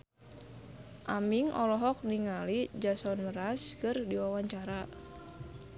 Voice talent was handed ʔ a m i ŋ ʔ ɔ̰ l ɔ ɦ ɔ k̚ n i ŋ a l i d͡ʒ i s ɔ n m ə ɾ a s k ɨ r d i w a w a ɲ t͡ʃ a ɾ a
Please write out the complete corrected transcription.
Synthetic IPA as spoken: ʔ a m i ŋ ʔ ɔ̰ l ɔ ɦ ɔ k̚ n i ŋ a l i d͡ʒ a s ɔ n m ə ɾ a s k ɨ r d i w a w a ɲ t͡ʃ a ɾ a